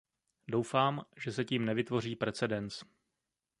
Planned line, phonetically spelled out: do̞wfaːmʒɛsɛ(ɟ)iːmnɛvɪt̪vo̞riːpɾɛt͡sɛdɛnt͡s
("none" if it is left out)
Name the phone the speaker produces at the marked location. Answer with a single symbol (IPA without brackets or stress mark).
c